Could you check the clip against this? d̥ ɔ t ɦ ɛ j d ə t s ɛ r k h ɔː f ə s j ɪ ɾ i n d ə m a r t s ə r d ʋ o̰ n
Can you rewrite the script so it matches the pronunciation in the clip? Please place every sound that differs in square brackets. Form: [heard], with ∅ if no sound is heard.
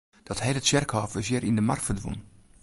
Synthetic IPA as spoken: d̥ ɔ t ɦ ɛ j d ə t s ɛ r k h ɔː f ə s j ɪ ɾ i n d ə m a r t [f] ə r d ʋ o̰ n